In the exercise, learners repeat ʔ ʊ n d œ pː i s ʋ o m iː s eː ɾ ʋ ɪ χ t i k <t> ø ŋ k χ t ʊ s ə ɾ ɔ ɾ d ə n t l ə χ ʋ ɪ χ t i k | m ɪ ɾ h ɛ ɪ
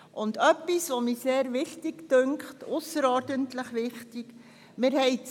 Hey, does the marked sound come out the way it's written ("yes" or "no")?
yes